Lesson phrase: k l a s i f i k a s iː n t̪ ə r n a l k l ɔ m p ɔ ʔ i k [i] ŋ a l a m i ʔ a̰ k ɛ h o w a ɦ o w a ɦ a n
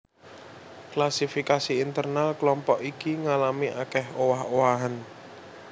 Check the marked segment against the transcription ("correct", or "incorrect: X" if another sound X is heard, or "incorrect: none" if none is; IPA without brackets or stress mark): correct